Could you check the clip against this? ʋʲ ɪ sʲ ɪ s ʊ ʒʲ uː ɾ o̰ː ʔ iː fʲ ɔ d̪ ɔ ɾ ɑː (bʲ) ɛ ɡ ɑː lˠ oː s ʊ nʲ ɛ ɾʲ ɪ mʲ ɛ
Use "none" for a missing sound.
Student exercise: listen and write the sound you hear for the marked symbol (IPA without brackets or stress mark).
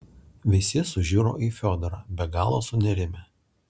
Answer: bʲ